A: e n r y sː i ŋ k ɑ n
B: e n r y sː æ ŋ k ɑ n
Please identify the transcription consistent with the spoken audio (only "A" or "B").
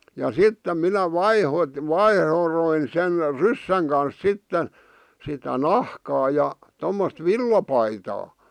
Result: B